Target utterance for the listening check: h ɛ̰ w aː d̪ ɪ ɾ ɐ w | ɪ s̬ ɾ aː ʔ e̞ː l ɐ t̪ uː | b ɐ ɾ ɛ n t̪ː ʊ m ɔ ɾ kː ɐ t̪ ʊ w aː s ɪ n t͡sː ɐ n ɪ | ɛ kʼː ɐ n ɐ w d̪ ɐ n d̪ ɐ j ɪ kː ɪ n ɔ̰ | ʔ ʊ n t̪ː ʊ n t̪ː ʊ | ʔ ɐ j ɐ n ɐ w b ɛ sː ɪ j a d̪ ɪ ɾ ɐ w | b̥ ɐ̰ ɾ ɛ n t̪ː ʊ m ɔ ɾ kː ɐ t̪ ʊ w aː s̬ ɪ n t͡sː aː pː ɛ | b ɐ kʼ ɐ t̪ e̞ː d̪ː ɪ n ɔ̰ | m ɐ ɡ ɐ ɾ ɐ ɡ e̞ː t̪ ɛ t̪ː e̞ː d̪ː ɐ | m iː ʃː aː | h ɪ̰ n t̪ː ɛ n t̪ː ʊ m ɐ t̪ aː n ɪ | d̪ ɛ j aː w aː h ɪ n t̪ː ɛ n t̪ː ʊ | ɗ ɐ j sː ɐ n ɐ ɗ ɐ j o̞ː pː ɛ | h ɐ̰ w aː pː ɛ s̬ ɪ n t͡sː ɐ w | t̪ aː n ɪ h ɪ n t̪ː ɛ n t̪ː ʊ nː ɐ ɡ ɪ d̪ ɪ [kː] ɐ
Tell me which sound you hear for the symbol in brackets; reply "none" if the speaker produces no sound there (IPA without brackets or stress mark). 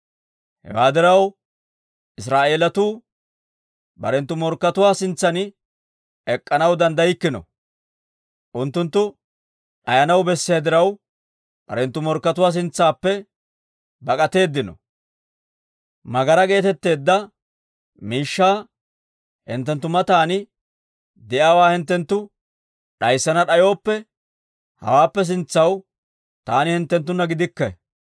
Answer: kː